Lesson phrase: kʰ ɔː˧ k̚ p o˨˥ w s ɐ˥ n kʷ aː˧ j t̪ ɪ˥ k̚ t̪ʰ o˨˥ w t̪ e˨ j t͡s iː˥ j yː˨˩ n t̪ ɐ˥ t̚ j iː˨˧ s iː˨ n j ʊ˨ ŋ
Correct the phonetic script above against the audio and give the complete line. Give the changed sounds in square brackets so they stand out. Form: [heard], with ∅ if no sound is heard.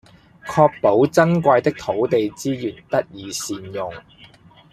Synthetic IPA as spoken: kʰ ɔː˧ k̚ p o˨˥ w [t͡s] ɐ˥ n kʷ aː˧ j t̪ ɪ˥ k̚ t̪ʰ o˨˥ w t̪ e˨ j t͡s iː˥ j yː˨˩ n t̪ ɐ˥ t̚ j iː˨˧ s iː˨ n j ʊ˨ ŋ

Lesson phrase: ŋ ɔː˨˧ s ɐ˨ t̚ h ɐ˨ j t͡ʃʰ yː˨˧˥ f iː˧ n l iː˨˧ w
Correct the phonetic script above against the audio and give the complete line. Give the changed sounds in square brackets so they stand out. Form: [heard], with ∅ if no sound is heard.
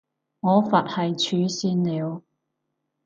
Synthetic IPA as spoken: ŋ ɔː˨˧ [f] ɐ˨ t̚ h ɐ˨ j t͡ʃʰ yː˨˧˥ [s] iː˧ n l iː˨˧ w

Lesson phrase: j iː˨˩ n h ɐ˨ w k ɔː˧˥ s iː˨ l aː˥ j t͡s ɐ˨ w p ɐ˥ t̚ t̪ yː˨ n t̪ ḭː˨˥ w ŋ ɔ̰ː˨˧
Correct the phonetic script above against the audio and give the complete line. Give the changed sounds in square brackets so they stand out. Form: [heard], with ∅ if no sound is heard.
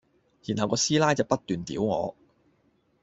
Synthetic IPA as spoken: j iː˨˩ n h ɐ˨ w k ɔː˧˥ s [iː˥] l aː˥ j t͡s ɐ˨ w p ɐ˥ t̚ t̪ yː˨ n t̪ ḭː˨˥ w ŋ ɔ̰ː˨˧

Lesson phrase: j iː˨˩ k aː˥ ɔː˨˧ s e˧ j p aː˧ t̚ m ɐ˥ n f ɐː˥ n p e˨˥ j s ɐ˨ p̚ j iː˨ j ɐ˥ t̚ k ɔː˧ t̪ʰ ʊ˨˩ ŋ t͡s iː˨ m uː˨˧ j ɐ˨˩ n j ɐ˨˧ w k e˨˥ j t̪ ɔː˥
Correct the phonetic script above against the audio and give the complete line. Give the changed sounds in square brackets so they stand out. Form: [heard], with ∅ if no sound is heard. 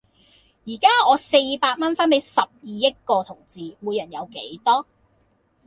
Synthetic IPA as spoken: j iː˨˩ k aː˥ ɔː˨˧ s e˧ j p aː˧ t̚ m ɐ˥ n f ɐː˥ n p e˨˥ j s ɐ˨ p̚ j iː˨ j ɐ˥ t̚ k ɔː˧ t̪ʰ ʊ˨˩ ŋ t͡s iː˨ m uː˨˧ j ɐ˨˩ n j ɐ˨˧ w k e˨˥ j t̪ ɔː˥

